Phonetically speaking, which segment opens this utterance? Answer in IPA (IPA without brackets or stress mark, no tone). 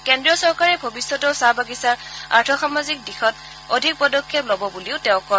k